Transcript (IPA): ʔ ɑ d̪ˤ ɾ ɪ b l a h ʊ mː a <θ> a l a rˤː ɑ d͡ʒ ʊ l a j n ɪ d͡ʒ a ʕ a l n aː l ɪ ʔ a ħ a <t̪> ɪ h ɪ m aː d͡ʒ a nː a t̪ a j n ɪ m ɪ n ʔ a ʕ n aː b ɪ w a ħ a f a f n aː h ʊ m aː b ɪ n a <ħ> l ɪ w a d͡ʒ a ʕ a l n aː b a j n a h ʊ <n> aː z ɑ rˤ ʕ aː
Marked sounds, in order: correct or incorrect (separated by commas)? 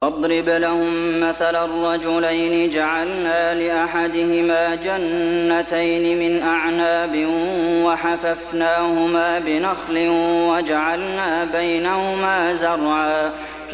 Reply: correct, incorrect, incorrect, incorrect